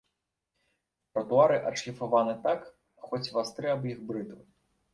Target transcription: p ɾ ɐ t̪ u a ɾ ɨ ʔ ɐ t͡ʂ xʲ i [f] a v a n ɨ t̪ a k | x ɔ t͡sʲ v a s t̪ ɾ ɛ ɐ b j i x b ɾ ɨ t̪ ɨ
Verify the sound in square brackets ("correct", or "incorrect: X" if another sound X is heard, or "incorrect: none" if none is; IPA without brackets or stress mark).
correct